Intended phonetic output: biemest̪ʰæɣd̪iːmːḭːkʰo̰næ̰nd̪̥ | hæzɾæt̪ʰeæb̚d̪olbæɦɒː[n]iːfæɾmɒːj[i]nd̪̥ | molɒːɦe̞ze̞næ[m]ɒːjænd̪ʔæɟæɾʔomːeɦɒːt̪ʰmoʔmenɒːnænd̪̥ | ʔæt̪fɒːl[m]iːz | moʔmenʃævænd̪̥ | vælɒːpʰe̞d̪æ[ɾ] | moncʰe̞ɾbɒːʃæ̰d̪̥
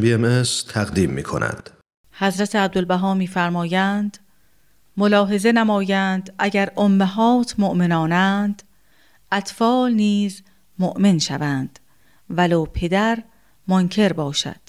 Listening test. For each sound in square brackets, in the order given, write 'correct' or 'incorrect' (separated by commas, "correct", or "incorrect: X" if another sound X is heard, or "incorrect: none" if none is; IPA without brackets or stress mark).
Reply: incorrect: m, incorrect: æ, correct, incorrect: n, correct